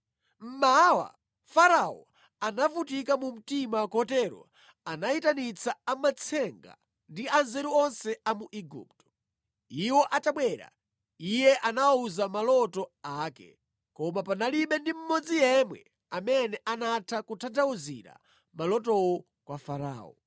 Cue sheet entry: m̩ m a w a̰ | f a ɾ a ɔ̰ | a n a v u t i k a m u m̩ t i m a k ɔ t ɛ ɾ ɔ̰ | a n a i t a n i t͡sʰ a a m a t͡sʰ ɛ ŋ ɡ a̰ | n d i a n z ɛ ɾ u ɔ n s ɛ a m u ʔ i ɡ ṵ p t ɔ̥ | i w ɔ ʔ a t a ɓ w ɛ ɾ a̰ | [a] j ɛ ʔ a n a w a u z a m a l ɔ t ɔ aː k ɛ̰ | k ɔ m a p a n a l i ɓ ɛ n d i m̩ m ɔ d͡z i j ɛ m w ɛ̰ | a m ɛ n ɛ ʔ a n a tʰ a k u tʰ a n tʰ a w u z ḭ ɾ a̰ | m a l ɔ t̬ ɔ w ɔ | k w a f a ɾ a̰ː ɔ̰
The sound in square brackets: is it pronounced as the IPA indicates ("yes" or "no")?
no